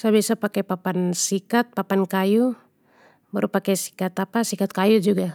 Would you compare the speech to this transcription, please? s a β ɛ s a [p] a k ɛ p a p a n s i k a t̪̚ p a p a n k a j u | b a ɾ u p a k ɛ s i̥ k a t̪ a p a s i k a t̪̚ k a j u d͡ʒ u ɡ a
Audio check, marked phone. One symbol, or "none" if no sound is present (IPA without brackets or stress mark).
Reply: p